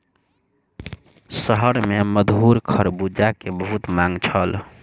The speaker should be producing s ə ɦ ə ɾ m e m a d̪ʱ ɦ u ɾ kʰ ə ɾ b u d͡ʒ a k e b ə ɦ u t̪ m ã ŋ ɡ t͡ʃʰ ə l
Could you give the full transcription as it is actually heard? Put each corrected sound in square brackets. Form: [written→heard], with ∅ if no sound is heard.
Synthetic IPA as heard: s ə ɦ ə ɾ m e m [a→ə] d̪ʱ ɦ u ɾ kʰ ə ɾ b u d͡ʒ a k e b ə ɦ u t̪ m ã ŋ ɡ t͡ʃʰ ə l